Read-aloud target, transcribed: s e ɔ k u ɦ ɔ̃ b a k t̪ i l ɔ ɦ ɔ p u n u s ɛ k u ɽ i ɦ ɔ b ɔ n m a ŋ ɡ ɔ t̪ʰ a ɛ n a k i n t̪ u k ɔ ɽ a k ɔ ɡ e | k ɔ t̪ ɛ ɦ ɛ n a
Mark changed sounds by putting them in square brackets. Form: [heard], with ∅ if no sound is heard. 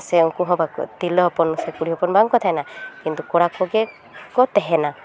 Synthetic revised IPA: s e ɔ k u ɦ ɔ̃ b a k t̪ i l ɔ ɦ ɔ p [ɔ] n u s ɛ k u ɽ i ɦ ɔ [p] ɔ n [b] a ŋ [k] ɔ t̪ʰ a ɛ n a k i n t̪ u k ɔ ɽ a k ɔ ɡ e | k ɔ t̪ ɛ ɦ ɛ n a